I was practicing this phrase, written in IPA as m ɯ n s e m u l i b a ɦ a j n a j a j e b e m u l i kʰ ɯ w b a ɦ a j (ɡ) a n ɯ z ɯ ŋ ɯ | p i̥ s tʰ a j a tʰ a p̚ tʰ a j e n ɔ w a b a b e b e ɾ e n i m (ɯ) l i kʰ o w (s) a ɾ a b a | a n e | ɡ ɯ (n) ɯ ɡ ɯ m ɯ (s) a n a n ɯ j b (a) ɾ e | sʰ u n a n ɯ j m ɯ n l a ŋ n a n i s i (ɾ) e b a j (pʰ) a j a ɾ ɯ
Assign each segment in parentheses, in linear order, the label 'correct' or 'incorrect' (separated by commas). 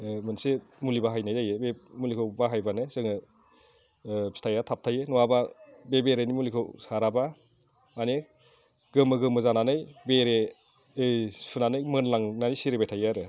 incorrect, incorrect, correct, incorrect, incorrect, incorrect, correct, incorrect